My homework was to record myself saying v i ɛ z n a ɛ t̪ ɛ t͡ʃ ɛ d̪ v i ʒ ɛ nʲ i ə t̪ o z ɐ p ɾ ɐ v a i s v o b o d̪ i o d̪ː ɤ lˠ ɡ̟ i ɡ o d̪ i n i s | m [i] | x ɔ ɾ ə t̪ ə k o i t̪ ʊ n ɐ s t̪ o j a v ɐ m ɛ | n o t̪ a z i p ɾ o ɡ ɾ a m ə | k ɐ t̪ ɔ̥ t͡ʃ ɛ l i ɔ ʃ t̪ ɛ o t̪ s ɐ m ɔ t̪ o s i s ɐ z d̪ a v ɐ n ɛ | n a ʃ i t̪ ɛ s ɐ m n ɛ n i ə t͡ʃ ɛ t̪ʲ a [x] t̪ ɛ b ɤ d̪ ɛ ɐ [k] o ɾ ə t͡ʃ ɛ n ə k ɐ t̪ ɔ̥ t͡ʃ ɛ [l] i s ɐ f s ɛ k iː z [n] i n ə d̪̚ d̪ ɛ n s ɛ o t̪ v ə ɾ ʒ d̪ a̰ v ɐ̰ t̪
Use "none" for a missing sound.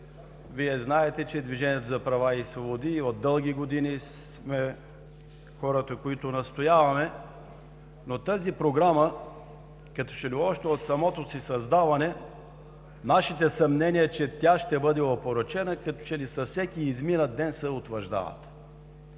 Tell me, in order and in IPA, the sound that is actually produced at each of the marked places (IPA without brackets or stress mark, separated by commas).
ɛ, ʃ, p, l, m